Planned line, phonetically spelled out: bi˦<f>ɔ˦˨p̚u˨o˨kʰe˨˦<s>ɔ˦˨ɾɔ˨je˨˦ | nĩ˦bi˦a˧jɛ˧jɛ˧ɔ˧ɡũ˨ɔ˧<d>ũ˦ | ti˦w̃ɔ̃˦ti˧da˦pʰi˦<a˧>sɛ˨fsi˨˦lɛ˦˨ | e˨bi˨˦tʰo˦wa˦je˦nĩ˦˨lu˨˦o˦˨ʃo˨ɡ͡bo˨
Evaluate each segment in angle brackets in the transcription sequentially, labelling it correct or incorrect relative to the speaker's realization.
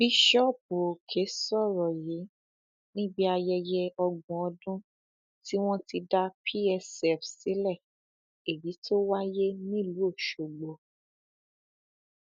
incorrect: ʃ, correct, correct, incorrect: ɛ˧

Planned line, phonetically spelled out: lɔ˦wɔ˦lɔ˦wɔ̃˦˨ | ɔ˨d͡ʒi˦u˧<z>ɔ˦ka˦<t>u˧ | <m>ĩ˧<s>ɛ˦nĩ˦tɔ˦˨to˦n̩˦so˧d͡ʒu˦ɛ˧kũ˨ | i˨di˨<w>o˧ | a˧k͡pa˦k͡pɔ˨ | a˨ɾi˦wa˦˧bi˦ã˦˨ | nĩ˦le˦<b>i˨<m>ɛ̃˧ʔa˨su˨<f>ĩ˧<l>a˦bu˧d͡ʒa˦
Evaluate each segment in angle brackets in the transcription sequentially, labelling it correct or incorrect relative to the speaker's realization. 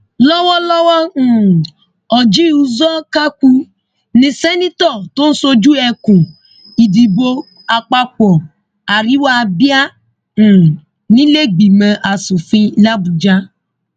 correct, incorrect: k, incorrect: n, correct, incorrect: b, incorrect: ɡ͡b, correct, correct, correct

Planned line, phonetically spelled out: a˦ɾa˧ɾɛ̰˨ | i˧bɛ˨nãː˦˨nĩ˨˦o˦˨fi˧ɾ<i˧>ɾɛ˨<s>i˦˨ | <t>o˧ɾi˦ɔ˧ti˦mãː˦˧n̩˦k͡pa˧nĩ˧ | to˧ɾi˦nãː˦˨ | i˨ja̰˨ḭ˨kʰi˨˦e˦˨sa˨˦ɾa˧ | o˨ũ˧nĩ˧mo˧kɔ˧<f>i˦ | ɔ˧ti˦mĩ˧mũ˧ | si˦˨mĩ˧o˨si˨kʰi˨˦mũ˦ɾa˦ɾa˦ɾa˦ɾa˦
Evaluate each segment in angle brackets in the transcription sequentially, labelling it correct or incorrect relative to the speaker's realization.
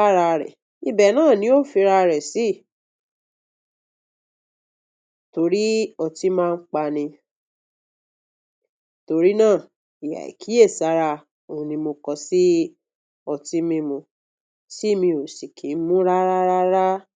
incorrect: a˧, correct, correct, incorrect: s

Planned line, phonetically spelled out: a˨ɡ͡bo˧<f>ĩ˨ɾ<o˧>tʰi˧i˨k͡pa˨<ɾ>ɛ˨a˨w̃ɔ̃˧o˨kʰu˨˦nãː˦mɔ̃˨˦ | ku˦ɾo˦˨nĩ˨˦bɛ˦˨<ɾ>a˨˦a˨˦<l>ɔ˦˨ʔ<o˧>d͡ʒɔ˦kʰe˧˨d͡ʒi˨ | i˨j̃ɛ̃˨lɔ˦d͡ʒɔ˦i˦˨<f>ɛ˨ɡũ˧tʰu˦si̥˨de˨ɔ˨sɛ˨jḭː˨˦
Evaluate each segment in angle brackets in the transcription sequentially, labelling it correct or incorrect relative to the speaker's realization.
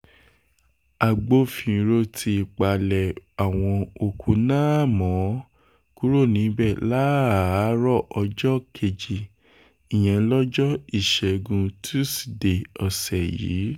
correct, correct, incorrect: l, incorrect: l, incorrect: ɾ, incorrect: ɔ˧, incorrect: ʃ

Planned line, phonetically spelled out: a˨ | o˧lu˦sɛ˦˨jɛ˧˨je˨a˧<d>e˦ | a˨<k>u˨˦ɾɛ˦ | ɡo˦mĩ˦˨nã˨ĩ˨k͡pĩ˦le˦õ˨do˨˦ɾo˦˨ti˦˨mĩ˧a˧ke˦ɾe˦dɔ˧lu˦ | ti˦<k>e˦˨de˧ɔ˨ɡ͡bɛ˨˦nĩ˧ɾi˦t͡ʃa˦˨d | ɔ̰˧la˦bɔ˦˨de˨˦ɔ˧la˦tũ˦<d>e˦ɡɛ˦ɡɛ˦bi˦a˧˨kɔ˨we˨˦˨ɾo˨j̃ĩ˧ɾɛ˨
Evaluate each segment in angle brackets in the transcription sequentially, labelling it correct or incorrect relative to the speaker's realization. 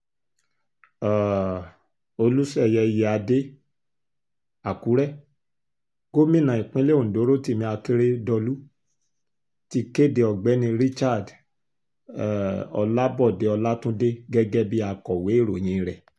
correct, correct, correct, correct

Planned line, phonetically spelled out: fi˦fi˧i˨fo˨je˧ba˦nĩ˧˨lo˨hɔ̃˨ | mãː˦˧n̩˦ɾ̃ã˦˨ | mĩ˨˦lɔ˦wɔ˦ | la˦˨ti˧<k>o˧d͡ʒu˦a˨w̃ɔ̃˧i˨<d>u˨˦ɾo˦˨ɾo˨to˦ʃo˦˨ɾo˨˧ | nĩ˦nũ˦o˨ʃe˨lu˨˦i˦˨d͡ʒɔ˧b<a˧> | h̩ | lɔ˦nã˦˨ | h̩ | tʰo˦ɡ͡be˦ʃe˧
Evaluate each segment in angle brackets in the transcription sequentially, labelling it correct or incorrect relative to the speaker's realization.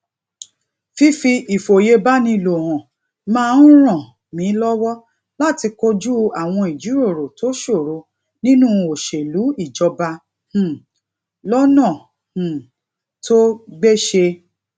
correct, incorrect: d͡ʒ, correct

